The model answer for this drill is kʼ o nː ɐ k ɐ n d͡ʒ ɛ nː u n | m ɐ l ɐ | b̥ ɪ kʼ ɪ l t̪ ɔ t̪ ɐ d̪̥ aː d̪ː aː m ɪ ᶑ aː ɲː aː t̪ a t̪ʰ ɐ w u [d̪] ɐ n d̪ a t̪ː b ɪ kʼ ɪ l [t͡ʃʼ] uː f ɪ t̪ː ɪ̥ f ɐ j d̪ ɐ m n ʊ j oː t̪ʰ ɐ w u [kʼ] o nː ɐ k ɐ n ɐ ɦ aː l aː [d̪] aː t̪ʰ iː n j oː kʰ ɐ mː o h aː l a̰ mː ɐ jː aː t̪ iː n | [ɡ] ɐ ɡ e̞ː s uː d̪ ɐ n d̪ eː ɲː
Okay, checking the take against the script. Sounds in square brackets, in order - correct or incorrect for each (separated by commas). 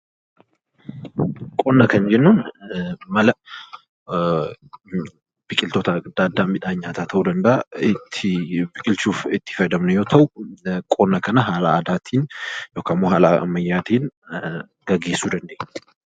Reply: correct, incorrect, correct, correct, correct